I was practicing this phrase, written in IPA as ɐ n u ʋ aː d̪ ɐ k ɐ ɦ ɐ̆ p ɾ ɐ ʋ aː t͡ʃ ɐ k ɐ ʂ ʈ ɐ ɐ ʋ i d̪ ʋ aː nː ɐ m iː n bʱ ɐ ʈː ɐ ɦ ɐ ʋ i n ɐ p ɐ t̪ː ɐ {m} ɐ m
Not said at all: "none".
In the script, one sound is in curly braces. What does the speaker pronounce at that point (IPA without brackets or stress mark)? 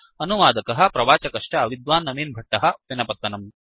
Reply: n